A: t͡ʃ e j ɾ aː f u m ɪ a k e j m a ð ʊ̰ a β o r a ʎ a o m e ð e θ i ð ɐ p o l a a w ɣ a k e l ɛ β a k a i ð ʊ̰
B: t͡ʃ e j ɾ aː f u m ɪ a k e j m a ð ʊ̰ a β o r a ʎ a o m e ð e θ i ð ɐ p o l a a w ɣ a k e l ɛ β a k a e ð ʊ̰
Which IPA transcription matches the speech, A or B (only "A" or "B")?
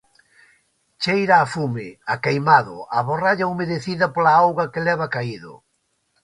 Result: A